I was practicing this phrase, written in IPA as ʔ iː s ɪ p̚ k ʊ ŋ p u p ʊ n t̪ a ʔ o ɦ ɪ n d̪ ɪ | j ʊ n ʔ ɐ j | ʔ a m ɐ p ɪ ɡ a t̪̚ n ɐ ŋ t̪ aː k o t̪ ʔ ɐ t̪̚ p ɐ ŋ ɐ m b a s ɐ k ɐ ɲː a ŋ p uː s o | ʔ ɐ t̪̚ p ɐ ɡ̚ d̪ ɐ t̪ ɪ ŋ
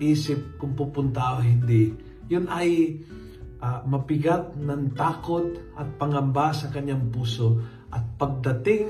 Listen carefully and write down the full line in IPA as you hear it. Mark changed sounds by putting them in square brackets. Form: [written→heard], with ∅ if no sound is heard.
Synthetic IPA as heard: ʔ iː s ɪ p̚ k ʊ ŋ p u p ʊ n t̪ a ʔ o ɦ ɪ n d̪ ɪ | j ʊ n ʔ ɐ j | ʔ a m ɐ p ɪ ɡ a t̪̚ n ɐ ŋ t̪ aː k o t̪ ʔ ɐ t̪̚ p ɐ ŋ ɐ m b a s ɐ k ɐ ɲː a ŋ p uː s o | ʔ ɐ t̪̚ p ɐ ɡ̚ d̪ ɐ t̪ ɪ ŋ